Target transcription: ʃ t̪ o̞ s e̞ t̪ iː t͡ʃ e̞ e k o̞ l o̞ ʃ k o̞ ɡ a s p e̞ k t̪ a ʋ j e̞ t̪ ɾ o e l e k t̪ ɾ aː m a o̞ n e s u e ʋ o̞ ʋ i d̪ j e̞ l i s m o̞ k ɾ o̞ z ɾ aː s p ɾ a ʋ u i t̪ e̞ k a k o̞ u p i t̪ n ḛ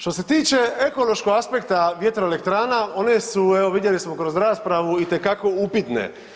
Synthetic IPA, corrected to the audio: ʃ t̪ o̞ s e̞ t̪ iː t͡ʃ e̞ e k o̞ l o̞ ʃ k o̞ ɡ a s p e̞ k t̪ a ʋ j e̞ t̪ ɾ o e l e k t̪ ɾ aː n a o̞ n e s u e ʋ o̞ ʋ i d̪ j e̞ l i s m o̞ k ɾ o̞ z ɾ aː s p ɾ a ʋ u i t̪ e̞ k a k o̞ u p i t̪ n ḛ